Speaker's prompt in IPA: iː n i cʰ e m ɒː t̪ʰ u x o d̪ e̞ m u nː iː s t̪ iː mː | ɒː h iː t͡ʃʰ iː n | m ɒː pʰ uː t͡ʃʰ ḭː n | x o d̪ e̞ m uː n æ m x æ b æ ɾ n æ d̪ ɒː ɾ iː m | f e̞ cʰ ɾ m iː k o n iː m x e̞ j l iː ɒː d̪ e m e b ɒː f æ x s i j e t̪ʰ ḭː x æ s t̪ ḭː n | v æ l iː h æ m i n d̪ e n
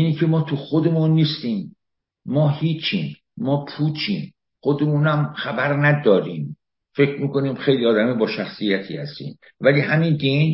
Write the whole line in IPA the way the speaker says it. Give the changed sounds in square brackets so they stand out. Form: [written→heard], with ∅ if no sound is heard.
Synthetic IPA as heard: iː n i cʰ e m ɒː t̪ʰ u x o d̪ e̞ m u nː iː s t̪ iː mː | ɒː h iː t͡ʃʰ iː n | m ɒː pʰ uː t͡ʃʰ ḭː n | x o d̪ e̞ m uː n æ m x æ b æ ɾ n æ d̪ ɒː ɾ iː m | f e̞ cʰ ɾ m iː k o n iː m x e̞ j l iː ɒː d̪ [e→æ] m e b ɒː [f→ʃ] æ x s i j [e→æ] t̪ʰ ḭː [x→h] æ s t̪ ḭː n | v æ l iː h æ m i n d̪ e n